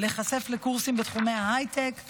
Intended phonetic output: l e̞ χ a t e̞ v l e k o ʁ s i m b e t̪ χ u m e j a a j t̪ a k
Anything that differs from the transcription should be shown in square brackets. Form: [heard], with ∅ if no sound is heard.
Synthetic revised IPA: l e̞ χ a [s] e̞ [f] l e k [u] ʁ s i m b e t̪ χ u m e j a a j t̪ [e] k